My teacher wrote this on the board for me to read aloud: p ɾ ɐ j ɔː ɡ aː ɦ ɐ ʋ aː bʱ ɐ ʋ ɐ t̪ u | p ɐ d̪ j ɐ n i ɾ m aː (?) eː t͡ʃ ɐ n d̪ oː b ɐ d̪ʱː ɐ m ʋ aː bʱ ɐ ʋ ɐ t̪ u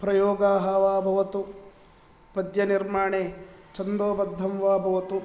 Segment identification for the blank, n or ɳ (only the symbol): ɳ